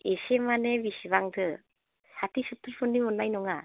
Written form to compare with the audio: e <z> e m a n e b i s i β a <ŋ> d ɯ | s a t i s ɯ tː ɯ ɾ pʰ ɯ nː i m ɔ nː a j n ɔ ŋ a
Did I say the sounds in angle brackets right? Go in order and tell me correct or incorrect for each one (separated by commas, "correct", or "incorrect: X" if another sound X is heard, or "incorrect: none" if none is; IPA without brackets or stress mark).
incorrect: s, correct